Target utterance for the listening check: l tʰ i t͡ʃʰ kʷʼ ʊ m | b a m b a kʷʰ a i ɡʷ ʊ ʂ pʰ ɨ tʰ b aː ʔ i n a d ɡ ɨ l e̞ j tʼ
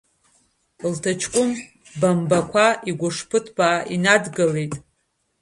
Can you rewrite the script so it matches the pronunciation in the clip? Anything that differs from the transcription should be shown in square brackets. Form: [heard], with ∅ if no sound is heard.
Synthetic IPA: l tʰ [a] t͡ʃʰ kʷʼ ʊ m | b a m b a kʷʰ a i ɡʷ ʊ ʂ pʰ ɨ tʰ b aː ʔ i n a d ɡ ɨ l e̞ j tʼ